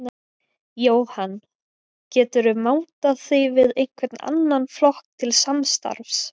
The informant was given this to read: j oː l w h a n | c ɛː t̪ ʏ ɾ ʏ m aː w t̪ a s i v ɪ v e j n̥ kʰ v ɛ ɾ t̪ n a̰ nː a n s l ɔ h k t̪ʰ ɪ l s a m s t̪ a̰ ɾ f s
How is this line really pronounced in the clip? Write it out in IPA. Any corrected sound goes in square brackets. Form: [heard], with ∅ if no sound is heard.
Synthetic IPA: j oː [∅] w h a n | c ɛː t̪ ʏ ɾ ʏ m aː w t̪ a [θ] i v ɪ [ð] e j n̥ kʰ v ɛ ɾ t̪ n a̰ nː a n [f] l ɔ h k t̪ʰ ɪ l s a m s t̪ a̰ ɾ f s